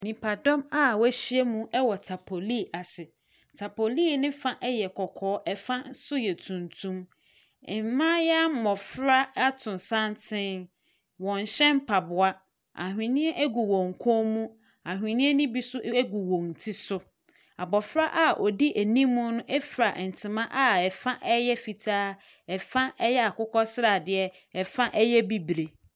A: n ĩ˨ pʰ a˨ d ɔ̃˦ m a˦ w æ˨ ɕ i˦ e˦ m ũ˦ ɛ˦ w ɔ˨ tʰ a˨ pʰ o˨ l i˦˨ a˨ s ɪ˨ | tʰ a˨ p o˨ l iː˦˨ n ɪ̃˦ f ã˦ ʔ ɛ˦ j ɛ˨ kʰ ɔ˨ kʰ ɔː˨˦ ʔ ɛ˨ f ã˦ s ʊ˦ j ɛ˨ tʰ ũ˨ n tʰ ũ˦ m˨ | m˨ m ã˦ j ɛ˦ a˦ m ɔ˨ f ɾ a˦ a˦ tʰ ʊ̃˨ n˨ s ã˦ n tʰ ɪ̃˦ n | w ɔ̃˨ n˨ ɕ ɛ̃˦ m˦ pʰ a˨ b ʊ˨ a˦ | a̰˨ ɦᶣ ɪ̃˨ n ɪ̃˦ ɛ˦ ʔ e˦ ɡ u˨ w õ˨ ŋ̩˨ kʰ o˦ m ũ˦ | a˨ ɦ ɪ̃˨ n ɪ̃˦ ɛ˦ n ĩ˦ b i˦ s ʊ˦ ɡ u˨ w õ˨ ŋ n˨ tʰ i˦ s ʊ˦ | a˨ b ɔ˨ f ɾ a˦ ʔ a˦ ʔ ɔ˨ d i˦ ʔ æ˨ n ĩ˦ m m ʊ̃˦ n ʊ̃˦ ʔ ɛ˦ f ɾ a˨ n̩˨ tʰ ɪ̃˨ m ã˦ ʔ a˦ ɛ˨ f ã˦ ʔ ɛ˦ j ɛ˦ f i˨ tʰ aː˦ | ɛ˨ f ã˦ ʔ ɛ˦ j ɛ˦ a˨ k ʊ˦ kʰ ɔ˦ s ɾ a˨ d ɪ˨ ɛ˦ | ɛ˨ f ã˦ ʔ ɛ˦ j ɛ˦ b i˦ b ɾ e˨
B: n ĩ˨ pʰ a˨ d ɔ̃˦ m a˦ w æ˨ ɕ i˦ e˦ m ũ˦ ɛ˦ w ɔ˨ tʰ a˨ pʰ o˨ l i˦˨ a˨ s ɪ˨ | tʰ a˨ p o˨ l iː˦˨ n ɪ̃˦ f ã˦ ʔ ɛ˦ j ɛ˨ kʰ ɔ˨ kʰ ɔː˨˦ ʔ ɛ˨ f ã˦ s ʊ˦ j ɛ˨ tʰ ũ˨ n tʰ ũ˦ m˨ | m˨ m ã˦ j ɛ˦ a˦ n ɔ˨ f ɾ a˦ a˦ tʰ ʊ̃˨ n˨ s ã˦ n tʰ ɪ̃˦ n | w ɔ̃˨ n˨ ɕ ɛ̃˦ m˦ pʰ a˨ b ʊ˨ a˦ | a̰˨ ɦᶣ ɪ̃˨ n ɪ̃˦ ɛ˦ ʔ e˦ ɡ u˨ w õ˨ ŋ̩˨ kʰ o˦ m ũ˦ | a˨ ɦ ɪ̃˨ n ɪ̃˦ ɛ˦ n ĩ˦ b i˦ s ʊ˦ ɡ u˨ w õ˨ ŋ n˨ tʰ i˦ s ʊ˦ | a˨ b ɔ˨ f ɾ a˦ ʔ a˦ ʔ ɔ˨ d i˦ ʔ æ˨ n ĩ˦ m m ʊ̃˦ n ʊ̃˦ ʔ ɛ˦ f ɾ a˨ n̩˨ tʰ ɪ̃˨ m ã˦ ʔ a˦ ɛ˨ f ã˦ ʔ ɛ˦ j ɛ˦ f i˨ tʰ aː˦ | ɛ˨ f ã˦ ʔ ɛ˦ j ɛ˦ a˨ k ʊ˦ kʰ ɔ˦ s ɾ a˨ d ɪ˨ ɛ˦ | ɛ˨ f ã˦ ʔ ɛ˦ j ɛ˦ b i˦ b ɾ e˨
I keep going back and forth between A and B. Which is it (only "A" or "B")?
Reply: A